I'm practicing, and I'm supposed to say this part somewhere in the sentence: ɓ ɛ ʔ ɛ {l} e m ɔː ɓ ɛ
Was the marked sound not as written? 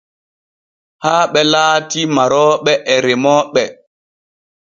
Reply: yes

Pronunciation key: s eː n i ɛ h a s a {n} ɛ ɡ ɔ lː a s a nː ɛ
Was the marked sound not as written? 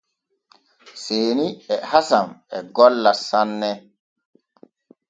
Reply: yes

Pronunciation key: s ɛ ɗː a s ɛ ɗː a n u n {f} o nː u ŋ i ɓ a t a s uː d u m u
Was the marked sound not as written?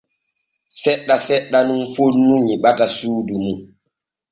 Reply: no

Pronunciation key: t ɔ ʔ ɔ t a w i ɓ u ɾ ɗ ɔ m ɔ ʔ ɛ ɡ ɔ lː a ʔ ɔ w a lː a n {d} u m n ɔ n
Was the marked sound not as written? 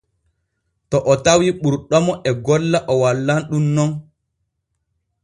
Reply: yes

